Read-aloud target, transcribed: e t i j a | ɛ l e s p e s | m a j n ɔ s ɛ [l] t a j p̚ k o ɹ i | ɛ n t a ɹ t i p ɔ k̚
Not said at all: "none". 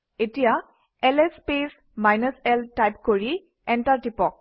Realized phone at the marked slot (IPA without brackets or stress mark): l